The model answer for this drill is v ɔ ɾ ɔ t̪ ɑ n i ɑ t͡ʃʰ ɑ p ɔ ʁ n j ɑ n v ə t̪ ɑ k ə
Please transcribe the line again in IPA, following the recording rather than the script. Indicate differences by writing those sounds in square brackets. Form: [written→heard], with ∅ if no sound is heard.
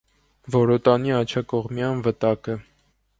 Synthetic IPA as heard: v ɔ ɾ ɔ t̪ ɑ n i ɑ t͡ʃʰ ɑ [p→k] ɔ ʁ [n→m] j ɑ n v ə t̪ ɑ k ə